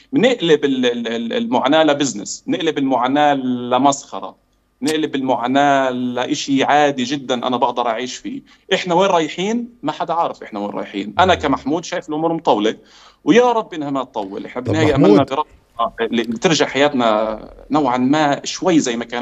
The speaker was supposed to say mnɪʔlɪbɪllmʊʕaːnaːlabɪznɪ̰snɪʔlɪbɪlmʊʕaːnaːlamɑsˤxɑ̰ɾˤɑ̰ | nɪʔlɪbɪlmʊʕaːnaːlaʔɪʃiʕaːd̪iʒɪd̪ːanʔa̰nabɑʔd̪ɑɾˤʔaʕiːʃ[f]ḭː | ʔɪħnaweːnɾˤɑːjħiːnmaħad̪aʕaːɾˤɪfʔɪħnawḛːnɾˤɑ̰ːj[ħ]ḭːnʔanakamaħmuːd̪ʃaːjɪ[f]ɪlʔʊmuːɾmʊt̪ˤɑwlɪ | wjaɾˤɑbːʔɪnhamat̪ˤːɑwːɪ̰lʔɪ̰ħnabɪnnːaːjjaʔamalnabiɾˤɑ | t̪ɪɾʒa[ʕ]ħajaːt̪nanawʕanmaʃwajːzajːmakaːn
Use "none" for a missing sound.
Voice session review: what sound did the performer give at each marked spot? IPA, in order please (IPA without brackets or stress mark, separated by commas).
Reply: f, ħ, f, ʕ